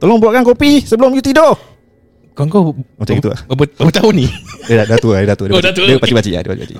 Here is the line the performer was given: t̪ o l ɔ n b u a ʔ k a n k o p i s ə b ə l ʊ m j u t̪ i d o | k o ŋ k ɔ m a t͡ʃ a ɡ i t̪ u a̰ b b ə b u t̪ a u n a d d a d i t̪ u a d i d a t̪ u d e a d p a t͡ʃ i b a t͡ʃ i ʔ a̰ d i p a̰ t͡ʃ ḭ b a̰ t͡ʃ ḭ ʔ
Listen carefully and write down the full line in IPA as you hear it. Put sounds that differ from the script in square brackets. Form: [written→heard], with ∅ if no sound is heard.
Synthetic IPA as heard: t̪ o l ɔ [n→ŋ] b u a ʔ k a n k o p i s ə b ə l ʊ m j u t̪ i d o | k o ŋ k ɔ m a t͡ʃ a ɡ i t̪ u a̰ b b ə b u t̪ a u n [a→i] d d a d [i→a] t̪ u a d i d a t̪ u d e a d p a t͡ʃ i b a t͡ʃ i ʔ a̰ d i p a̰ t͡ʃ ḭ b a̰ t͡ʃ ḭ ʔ